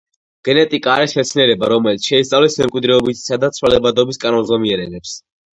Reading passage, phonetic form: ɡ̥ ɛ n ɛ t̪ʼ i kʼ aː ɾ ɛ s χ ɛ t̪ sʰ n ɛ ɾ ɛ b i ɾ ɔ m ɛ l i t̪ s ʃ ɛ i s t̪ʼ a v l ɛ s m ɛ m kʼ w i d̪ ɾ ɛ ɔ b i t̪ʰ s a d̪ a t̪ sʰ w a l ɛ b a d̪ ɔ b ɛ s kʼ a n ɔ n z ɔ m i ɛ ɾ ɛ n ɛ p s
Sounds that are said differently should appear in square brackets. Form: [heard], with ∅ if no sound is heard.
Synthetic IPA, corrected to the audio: ɡ̥ ɛ n ɛ t̪ʼ i kʼ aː ɾ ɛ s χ ɛ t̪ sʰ n ɛ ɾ ɛ b [a] ɾ ɔ m ɛ l i t̪ s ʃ ɛ i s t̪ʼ a v l ɛ s m ɛ m kʼ w i d̪ ɾ ɛ ɔ b i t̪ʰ s a d̪ a t̪ sʰ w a l ɛ b a d̪ ɔ b [i] s kʼ a n ɔ n z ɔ m i ɛ ɾ ɛ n ɛ p s